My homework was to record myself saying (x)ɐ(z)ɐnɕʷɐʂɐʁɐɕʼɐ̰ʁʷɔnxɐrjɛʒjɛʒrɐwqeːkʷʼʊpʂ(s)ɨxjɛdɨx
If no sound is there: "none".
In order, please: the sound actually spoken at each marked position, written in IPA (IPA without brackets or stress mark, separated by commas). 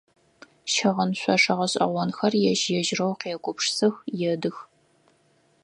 ʃ, ʁ, s